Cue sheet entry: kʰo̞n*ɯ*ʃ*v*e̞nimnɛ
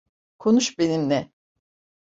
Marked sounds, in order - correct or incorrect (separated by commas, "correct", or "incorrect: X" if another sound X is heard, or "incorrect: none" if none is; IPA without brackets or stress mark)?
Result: incorrect: u, incorrect: b